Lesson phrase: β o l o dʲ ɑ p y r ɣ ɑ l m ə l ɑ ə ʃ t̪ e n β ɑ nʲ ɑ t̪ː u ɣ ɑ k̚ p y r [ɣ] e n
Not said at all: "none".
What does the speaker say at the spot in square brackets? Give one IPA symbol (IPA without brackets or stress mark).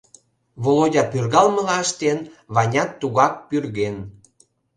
ɣ